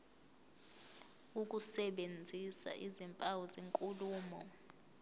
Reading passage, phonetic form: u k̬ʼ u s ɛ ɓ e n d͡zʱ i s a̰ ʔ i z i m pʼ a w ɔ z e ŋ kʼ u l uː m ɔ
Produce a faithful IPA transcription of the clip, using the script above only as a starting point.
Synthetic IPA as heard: u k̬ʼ u s ɛ ɓ e n d͡zʱ i s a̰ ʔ i z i m pʼ a w ɔ z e ŋ kʼ u l uː m ɔ